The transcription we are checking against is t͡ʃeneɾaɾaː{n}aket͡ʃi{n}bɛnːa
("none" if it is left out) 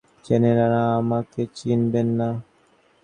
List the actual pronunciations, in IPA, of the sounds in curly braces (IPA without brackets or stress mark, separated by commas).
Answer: m, n